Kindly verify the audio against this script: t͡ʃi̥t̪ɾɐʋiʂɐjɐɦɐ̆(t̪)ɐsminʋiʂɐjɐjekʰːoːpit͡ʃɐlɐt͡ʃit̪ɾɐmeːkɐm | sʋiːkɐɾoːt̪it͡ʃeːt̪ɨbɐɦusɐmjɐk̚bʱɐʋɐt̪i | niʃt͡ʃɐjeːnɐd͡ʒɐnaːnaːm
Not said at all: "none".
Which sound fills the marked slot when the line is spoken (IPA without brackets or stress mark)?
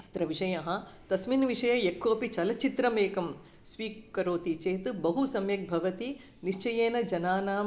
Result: t̪